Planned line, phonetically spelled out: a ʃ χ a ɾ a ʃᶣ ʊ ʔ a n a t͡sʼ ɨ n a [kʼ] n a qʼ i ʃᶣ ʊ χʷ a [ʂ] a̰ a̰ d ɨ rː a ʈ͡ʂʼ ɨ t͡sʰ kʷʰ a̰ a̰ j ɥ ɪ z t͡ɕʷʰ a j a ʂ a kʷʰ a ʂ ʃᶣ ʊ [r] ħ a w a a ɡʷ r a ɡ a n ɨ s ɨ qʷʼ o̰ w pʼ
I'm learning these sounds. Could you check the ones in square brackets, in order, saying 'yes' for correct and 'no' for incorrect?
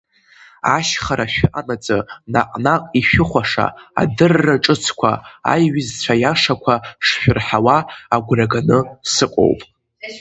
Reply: no, yes, yes

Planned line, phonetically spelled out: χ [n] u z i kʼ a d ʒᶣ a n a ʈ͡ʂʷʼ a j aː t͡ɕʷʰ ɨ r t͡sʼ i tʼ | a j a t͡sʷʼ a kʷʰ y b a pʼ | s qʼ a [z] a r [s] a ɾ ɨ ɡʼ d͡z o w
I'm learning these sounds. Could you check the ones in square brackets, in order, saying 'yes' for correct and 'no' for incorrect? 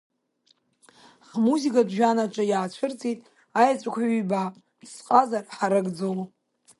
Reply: no, yes, no

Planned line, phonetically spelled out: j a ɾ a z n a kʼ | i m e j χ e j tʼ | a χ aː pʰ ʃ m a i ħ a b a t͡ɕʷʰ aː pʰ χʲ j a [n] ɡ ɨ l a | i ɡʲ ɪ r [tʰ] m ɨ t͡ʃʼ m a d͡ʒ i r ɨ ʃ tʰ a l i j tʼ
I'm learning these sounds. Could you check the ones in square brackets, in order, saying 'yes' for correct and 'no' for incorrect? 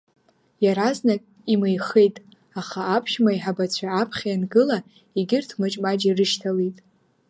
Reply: yes, yes

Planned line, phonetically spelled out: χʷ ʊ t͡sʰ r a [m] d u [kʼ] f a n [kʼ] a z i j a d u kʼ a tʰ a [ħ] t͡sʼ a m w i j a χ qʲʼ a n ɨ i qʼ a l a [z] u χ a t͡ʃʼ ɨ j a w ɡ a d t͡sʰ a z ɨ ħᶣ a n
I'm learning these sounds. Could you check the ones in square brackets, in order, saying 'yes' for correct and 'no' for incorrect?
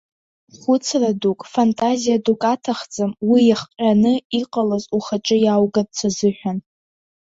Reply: no, yes, no, no, yes

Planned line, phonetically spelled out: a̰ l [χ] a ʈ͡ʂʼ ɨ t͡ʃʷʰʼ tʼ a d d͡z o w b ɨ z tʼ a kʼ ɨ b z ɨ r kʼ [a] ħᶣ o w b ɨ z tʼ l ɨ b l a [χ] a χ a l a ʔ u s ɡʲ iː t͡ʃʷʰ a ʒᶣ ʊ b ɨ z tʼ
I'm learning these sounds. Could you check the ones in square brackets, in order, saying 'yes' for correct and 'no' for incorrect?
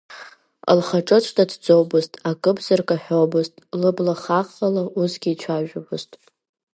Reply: yes, yes, yes

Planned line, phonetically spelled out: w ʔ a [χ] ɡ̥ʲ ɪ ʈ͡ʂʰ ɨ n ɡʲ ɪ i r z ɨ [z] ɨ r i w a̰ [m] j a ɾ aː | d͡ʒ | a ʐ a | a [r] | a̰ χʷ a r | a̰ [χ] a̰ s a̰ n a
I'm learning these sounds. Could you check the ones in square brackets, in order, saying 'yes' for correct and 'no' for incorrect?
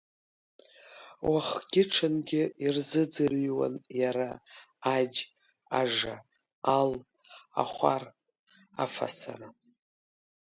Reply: yes, no, no, no, no

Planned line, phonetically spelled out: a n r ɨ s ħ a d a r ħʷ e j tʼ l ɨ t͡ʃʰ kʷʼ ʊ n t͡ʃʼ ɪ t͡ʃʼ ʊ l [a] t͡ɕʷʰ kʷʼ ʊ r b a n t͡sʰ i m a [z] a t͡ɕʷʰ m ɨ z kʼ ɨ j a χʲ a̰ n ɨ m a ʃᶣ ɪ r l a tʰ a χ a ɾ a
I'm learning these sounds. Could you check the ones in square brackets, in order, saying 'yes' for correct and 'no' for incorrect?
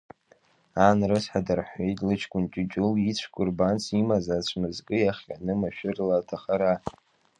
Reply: no, yes

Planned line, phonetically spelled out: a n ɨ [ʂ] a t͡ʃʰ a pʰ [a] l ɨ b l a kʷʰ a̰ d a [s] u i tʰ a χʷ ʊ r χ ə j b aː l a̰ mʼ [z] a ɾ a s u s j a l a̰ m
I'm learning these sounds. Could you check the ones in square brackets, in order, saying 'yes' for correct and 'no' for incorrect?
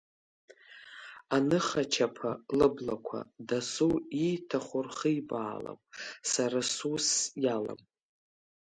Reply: no, yes, yes, no

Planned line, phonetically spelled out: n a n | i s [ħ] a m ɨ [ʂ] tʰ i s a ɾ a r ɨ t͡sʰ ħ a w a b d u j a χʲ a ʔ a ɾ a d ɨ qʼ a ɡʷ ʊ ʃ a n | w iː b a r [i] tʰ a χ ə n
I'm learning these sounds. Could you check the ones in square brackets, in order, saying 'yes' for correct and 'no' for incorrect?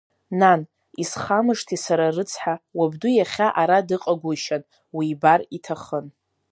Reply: no, yes, yes

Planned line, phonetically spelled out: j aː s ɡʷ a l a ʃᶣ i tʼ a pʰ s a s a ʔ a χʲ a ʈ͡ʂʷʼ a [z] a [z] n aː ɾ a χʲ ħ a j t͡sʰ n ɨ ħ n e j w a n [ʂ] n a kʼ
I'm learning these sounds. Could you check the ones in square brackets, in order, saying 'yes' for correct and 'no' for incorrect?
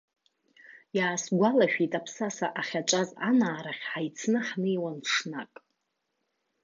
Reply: yes, no, yes

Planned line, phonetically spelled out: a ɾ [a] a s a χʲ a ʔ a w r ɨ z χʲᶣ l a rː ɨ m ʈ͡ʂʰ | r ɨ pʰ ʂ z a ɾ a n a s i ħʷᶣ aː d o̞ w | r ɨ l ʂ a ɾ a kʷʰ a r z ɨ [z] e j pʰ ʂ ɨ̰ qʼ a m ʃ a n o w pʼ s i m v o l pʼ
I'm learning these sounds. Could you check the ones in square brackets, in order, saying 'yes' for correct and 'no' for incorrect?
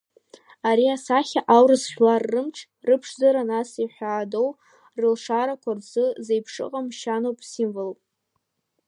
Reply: no, yes

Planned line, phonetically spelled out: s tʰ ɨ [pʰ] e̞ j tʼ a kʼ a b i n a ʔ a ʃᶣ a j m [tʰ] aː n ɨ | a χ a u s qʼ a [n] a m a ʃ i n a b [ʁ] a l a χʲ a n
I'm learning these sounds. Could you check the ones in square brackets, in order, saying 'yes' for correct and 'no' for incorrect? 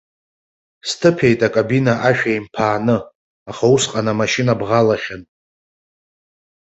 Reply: yes, no, yes, yes

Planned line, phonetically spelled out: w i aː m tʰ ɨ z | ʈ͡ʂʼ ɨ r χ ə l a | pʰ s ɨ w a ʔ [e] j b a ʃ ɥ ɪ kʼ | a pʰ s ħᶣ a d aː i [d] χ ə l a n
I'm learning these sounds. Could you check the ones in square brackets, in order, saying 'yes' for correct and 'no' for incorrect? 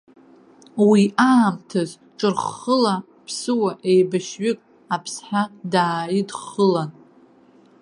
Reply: yes, yes

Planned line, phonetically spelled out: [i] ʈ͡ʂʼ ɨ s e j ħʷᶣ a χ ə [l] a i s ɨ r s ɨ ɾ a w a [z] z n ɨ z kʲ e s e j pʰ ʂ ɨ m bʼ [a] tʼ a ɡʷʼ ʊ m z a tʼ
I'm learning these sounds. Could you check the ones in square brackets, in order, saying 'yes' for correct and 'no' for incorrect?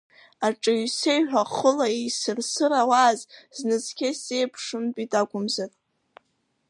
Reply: no, yes, yes, no

